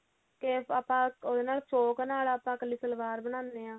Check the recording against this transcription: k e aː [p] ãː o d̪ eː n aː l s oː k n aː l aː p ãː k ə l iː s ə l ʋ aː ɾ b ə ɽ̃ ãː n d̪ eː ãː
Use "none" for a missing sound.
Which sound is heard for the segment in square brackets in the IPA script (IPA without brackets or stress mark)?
p